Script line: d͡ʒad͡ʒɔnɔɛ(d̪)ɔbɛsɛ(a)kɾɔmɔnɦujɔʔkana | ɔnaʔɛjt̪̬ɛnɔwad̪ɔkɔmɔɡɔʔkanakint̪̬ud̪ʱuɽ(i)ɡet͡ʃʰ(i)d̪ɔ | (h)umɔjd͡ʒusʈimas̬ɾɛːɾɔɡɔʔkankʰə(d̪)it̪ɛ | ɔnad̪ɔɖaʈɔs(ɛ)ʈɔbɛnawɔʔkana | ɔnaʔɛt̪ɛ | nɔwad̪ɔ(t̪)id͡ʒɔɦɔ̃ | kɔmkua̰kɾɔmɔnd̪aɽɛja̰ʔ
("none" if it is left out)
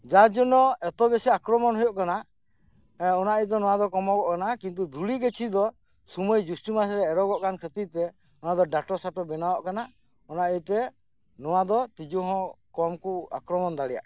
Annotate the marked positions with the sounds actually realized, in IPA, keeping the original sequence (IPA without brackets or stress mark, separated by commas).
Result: t̪, a, i, i, s, t̪, a, t̪